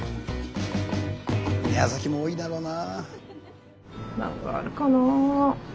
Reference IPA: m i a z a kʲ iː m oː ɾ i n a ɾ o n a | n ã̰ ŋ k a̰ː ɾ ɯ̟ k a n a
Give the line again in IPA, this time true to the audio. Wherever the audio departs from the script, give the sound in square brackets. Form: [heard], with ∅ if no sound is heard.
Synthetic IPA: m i a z a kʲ [i] m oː [∅] i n a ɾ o n a | n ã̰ ŋ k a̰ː ɾ ɯ̟ k a n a